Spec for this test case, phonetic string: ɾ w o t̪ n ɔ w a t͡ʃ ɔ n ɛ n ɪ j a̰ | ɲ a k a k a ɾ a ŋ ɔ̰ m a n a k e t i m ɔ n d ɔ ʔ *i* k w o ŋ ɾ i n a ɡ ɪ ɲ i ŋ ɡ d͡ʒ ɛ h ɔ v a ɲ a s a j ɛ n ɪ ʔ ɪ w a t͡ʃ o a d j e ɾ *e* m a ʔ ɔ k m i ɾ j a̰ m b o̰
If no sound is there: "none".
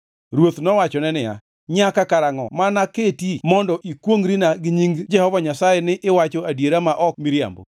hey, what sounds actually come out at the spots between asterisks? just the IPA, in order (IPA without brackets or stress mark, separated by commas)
i, a